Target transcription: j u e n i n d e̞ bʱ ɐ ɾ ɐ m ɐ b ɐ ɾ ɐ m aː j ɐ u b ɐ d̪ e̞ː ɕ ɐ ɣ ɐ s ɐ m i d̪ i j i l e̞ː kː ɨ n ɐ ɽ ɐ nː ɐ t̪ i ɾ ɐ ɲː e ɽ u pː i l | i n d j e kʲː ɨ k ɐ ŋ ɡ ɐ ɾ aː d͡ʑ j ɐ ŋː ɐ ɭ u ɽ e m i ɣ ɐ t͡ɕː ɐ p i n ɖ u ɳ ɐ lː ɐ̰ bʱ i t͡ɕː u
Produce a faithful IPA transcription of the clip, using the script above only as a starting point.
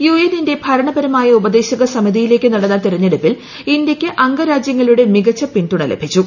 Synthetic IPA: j u e n i n d e̞ bʱ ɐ ɾ ɐ ɳ ɐ b ɐ ɾ ɐ m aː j ɐ u b ɐ d̪ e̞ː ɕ ɐ ɣ ɐ s ɐ m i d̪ i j i l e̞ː kː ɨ n ɐ ɽ ɐ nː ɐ t̪ i ɾ ɐ ɲː e ɽ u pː i l | i n d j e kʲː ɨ ʔ ɐ ŋ ɡ ɐ ɾ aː d͡ʑ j ɐ ŋː ɐ ɭ u ɽ e m i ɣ ɐ t͡ɕː ɐ p i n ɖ u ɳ ɐ l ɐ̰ bʱ i t͡ɕː u